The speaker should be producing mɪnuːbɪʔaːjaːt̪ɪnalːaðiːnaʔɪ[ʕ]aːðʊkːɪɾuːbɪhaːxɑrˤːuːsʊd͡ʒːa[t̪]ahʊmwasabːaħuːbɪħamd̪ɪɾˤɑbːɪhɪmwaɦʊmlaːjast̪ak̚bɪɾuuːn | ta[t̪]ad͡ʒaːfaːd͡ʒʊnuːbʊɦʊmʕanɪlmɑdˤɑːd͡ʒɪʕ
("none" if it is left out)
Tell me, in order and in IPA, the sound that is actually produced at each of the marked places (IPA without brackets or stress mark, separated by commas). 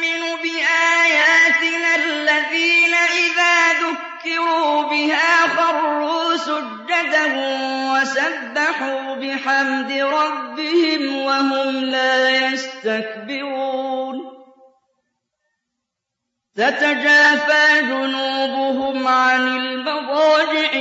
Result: ð, d̪, t̪